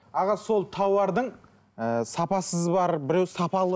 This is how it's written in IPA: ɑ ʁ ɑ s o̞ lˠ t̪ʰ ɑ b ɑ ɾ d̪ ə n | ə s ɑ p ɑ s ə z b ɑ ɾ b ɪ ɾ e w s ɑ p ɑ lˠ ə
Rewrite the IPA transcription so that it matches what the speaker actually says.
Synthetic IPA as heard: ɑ ʁ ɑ s o̞ lˠ t̪ʰ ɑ w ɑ ɾ d̪ ə ɴ | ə s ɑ p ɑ s ə z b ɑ ɾ b ɪ ɾ e w s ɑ p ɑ lˠ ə

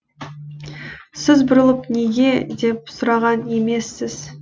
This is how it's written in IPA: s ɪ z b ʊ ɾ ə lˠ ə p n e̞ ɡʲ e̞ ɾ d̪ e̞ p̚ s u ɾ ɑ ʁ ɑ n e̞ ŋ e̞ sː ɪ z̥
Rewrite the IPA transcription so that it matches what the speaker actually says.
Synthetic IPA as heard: s ɪ z b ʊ ɾ ə lˠ ə p n e̞ ɡʲ e̞ d̪ e̞ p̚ s ʊ ɾ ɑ ʁ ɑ n e̞ m e̞ sː ɪ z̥

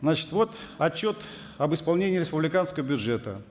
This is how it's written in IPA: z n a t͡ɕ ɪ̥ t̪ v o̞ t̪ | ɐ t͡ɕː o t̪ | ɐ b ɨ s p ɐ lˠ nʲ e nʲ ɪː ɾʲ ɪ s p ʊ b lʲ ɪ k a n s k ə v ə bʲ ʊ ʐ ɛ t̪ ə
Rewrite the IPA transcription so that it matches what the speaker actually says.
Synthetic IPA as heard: z n a t͡ɕ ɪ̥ t̪ v o̞ t̪ | ɐ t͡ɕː o t̪ | ɐ b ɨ s p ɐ lˠ nʲ e nʲ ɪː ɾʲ ɪ s p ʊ b lʲ ɪ k a n s k ə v ə bʲ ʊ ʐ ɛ t̪ ə

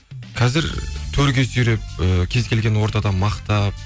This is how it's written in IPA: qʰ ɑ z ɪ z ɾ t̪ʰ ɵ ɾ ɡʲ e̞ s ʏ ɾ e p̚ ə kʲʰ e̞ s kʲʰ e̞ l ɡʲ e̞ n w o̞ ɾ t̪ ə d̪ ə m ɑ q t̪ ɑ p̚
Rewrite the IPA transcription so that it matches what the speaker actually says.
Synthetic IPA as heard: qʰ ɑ z ɪ ɾ t̪ʰ ɵ ɾ ɡʲ e̞ s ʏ ɾ e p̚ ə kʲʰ e̞ z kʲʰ e̞ l ɡʲ e̞ n w o̞ ɾ t̪ ɑ d̪ ɑ m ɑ q t̪ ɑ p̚

